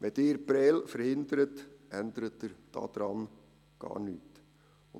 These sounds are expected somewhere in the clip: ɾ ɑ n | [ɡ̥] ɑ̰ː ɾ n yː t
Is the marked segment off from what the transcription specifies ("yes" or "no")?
no